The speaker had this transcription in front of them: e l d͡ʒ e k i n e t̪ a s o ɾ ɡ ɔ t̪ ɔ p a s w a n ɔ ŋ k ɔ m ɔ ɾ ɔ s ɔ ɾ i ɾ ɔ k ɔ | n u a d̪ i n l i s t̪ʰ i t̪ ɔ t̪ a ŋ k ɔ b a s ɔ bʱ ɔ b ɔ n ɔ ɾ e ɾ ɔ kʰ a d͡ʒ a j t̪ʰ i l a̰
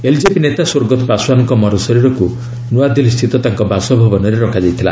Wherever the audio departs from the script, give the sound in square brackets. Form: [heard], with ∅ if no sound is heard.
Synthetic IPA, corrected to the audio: e l d͡ʒ e [p] i n e t̪ a s o ɾ ɡ ɔ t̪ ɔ p a s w a n ɔ ŋ k ɔ m ɔ ɾ ɔ s ɔ ɾ i ɾ ɔ k [u] | n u a d̪ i [∅] l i s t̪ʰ i t̪ ɔ t̪ a ŋ k ɔ b a s ɔ bʱ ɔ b ɔ n ɔ ɾ e ɾ ɔ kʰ a d͡ʒ a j t̪ʰ i l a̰